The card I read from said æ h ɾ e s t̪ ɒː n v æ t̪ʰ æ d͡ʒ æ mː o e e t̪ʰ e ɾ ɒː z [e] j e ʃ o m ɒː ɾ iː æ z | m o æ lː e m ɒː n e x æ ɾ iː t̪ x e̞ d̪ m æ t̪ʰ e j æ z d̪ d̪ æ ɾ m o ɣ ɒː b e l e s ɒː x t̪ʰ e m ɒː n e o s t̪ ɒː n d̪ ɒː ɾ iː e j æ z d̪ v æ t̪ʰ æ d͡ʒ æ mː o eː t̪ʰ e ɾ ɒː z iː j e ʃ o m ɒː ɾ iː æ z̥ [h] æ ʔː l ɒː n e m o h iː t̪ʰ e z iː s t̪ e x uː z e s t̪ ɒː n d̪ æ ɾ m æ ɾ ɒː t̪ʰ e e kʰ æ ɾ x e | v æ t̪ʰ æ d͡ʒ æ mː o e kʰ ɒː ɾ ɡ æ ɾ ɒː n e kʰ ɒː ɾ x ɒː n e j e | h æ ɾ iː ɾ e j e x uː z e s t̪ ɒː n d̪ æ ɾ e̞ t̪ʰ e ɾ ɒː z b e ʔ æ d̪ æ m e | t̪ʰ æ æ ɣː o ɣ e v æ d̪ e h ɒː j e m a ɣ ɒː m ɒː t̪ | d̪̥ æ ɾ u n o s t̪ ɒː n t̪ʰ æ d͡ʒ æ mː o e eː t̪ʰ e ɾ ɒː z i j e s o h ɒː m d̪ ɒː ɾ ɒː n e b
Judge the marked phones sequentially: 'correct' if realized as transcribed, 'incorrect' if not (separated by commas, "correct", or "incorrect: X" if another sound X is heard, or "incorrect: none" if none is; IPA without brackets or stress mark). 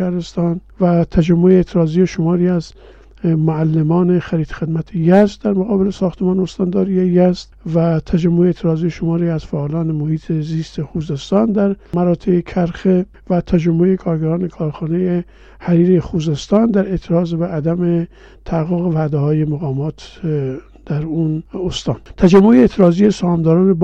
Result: incorrect: i, incorrect: f